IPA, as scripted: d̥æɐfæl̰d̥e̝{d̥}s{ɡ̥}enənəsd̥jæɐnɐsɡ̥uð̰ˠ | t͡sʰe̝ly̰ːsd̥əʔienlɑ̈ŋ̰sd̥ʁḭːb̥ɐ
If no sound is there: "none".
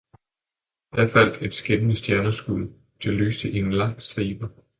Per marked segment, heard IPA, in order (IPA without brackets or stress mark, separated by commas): d̥, ɡ̥